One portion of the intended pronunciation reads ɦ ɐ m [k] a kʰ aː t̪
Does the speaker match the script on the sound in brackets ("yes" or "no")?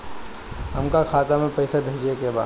yes